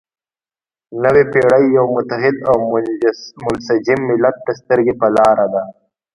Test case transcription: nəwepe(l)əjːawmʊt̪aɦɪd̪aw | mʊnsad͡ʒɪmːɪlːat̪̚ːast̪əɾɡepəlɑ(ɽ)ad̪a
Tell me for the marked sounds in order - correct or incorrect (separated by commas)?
incorrect, incorrect